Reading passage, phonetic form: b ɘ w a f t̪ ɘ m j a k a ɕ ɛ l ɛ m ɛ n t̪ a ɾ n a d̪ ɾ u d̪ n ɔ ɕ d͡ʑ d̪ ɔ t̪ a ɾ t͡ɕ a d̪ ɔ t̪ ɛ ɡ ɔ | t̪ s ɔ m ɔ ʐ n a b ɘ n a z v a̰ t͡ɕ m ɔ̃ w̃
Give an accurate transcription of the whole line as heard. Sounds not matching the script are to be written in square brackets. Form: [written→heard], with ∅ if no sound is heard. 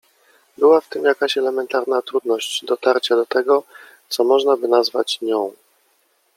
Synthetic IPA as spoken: b ɘ w a f t̪ ɘ m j a k a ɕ ɛ l ɛ m ɛ n t̪ a ɾ n a [d̪→t̪] ɾ u d̪ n ɔ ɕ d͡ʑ d̪ ɔ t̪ a ɾ t͡ɕ a d̪ ɔ t̪ ɛ ɡ ɔ | t̪ s ɔ m ɔ ʐ n a b ɘ n a z v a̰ t͡ɕ [m→ɲ] ɔ̃ w̃